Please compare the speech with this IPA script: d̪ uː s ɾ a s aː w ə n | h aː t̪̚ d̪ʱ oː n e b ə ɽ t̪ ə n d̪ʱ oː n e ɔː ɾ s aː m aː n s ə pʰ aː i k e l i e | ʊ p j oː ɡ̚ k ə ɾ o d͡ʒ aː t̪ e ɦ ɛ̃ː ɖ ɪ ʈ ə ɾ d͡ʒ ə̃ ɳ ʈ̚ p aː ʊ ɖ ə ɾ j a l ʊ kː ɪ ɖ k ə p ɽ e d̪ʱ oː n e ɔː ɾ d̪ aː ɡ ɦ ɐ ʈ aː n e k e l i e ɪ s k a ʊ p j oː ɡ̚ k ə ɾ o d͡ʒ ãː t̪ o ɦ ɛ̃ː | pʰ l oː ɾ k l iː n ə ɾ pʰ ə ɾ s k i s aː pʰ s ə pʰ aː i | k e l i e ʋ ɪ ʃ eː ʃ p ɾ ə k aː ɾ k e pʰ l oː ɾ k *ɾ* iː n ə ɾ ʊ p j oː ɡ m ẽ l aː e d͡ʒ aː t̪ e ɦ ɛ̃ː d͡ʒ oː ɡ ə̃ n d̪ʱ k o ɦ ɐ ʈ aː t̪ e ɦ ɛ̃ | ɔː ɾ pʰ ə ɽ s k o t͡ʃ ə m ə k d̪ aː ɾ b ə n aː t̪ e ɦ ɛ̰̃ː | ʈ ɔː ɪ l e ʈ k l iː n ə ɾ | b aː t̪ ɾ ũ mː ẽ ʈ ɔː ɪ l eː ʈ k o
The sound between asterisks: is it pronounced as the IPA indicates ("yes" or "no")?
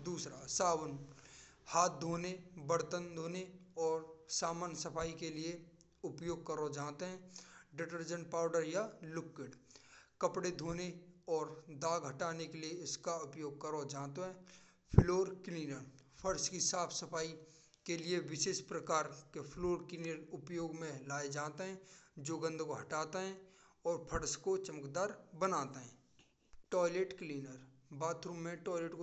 no